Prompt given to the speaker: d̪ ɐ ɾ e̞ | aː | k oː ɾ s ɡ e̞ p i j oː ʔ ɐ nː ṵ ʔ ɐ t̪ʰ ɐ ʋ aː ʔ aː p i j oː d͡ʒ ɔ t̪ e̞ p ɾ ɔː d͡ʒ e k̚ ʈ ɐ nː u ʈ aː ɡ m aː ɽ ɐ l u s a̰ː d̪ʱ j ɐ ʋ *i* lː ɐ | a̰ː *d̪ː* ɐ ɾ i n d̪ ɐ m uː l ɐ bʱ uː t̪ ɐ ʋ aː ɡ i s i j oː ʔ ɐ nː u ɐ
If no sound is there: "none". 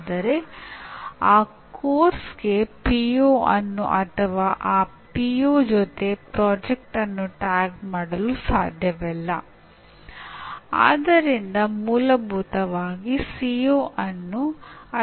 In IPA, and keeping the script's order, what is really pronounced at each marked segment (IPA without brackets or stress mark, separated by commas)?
ɛ, d̪